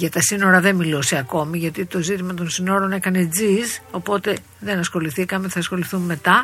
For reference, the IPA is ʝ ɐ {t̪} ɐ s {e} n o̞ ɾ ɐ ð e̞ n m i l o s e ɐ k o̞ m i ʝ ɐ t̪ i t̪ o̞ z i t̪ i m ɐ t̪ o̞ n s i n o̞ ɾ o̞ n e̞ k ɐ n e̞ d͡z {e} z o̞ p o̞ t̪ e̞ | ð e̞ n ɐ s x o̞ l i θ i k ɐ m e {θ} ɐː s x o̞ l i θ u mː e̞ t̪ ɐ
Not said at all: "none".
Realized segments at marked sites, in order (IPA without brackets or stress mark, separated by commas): t̪, i, i, θ